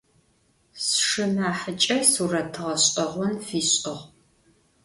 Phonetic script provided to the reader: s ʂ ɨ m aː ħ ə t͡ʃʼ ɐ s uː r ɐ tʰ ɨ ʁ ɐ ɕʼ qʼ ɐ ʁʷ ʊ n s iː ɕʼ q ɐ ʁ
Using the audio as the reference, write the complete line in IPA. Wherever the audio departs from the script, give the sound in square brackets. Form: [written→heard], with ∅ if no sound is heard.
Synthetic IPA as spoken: s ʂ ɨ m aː ħ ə t͡ʃʼ ɐ s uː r ɐ tʰ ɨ ʁ ɐ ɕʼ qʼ ɐ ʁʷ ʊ n [s→f] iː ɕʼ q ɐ ʁ